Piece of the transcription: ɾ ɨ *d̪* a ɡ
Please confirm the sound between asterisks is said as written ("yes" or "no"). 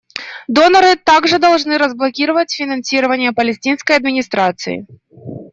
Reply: no